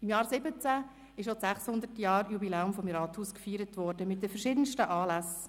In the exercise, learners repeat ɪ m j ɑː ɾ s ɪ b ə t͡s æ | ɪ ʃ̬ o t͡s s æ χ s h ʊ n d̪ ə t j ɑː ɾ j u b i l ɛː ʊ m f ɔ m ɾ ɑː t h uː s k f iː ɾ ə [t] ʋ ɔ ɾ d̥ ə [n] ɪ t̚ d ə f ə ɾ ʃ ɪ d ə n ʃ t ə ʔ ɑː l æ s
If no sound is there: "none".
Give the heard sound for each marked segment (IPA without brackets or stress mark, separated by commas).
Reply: t, m